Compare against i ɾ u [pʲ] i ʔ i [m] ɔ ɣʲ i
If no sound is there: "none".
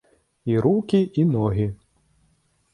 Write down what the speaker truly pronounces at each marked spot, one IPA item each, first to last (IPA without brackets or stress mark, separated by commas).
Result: kʲ, n